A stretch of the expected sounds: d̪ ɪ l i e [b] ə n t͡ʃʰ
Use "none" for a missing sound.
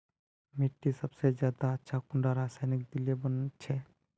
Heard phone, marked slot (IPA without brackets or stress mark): b